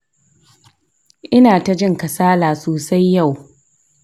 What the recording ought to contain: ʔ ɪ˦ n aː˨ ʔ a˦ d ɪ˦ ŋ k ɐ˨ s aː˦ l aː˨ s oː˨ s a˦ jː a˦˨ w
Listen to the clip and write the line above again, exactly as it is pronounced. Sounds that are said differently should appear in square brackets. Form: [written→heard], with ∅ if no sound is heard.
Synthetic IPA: ʔ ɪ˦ n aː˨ [ʔ→t] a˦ [d→d͡ʒ] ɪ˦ ŋ k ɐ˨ s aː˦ l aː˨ s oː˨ s a˦ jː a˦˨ w

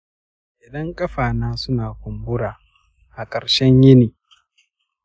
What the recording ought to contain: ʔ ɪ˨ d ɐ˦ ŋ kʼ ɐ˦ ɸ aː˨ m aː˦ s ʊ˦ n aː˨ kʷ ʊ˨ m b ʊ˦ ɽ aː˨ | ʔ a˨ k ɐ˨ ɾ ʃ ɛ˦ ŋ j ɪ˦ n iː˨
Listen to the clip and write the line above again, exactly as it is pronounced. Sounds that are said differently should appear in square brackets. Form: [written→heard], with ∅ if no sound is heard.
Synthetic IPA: ʔ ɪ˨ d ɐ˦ ŋ kʼ ɐ˦ ɸ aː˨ [m→n] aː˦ s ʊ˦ n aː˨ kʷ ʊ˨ m b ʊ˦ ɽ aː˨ | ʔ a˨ [k→kʼ] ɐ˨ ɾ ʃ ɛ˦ [ŋ→ɲ] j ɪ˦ n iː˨

